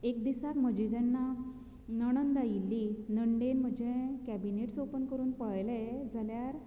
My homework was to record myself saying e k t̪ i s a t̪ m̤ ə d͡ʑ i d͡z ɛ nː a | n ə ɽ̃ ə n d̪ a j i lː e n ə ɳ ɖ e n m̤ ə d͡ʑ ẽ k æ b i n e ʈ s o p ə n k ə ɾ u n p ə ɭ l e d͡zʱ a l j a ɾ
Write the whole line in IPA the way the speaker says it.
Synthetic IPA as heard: e k d̪ i s a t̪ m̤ ə d͡ʑ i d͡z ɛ nː a | n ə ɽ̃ ə n d̪ a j i lː i n ə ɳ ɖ e n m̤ ə d͡ʑ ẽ k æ b i n e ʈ s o p ə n k ə ɾ uː n p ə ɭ l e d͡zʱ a l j a ɾ

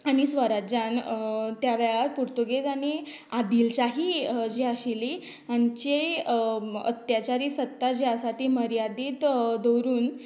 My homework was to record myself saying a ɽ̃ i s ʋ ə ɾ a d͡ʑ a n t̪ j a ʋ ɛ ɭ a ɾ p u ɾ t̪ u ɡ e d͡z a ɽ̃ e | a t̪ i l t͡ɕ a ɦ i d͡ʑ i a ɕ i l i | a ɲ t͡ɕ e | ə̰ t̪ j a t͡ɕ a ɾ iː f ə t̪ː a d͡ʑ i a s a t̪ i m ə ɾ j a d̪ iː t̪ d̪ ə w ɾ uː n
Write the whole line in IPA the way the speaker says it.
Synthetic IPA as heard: a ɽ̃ i s ʋ ə ɾ a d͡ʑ a n t̪ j a ʋ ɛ ɭ a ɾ p u ɾ t̪ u ɡ e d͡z a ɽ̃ i | a d̪ i l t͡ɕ a ɦ i d͡ʑ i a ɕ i l i | a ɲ t͡ɕ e | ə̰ t̪ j a t͡ɕ a ɾ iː s ə t̪ː a d͡ʑ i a s a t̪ i m ə ɾ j a d̪ iː t̪ d̪ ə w ɾ uː n

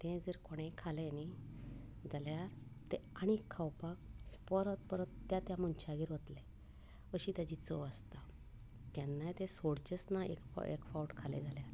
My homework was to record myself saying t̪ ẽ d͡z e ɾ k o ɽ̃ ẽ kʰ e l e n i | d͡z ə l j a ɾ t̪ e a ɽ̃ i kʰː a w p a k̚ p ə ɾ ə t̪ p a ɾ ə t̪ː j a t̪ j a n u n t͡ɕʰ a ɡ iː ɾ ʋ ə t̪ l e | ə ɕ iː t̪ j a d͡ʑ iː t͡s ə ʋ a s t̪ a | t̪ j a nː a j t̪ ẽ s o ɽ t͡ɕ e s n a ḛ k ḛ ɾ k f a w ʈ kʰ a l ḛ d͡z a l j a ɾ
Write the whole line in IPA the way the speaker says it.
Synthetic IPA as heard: t̪ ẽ d͡z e ɾ k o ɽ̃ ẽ kʰ a l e n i | d͡z a l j a ɾ t̪ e a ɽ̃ i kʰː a w p a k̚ p ə ɾ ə t̪ p ə ɾ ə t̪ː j a t̪ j a m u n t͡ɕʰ a ɡ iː ɾ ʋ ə t̪ l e | ə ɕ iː t̪ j a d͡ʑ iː t͡s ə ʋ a s t̪ a | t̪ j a nː a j t̪ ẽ s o ɽ t͡ɕ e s n a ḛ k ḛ k f a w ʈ kʰ a l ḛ d͡z a l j a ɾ

